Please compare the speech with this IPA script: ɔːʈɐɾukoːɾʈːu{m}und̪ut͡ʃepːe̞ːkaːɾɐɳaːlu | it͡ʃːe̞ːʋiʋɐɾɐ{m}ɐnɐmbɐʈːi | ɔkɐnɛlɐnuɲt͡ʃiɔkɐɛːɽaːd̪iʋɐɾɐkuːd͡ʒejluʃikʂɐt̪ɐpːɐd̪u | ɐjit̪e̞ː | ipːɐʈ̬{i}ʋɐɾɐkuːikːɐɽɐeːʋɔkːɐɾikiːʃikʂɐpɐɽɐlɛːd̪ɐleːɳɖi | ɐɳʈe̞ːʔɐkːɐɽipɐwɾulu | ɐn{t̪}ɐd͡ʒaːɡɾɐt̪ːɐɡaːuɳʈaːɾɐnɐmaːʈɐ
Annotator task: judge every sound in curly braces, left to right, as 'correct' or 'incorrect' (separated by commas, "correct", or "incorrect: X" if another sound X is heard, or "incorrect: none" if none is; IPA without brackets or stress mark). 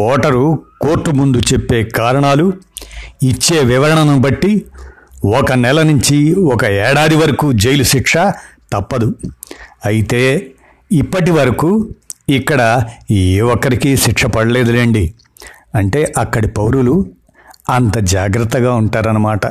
correct, incorrect: ɳ, correct, correct